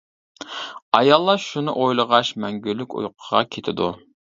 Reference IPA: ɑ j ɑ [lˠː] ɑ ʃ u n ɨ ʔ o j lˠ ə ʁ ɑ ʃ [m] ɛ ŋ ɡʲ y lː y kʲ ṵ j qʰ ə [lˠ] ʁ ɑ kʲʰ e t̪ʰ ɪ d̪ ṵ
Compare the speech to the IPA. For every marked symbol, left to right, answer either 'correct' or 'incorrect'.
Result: correct, correct, incorrect

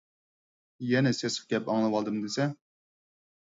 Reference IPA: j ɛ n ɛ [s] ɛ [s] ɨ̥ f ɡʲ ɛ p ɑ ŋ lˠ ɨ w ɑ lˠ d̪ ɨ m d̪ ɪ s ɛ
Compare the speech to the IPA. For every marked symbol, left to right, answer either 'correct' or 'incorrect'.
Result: correct, correct

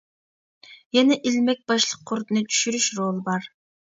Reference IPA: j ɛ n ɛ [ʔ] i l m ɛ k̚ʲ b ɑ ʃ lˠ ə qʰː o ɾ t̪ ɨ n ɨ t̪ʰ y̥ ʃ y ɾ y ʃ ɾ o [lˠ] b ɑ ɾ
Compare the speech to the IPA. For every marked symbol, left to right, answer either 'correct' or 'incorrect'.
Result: correct, correct

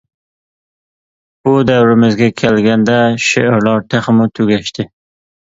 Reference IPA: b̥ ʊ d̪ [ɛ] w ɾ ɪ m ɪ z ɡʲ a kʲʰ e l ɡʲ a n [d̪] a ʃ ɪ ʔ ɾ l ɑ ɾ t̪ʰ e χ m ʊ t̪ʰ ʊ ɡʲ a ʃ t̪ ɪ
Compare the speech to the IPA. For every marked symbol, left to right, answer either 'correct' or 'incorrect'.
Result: incorrect, correct

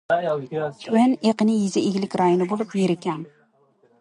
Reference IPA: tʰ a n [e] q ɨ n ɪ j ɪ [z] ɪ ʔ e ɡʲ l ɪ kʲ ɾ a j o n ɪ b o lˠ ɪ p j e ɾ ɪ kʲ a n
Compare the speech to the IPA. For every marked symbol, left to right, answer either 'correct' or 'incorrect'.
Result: correct, correct

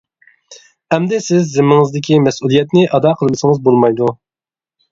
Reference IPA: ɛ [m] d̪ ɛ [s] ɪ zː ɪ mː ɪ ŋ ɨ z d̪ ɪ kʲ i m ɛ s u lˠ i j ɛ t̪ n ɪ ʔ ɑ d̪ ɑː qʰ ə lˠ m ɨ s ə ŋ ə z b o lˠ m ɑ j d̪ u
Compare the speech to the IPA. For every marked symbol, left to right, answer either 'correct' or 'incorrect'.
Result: correct, correct

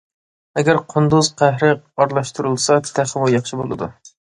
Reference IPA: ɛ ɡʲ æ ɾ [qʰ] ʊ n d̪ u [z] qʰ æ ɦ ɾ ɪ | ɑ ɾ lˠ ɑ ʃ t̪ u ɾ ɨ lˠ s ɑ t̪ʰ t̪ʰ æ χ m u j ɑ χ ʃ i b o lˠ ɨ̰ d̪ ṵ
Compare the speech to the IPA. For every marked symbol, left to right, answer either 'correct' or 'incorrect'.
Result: correct, correct

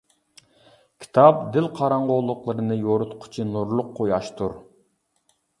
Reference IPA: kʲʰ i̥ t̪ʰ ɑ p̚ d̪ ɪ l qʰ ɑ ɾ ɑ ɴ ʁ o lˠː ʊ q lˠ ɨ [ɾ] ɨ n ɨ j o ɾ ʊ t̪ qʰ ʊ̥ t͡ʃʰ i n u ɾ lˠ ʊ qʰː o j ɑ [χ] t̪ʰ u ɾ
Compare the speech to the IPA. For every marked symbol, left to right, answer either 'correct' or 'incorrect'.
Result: correct, incorrect

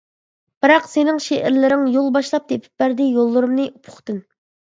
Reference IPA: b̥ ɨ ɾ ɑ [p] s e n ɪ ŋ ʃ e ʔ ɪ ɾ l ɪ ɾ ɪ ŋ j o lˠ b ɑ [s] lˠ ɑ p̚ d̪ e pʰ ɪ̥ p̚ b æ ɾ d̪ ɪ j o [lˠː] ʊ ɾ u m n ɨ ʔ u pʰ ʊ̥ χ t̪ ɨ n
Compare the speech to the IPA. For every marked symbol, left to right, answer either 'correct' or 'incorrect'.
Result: incorrect, incorrect, correct

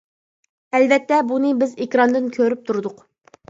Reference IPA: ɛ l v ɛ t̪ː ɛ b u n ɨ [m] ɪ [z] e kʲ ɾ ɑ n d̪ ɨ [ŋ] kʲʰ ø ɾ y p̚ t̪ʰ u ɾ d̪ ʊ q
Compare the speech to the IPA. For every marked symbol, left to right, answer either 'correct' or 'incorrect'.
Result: incorrect, correct, incorrect

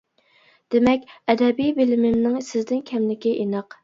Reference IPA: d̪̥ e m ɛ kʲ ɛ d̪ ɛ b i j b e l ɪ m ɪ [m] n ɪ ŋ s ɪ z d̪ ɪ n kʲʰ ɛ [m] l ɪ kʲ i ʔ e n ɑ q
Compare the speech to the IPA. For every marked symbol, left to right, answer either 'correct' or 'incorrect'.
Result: correct, correct

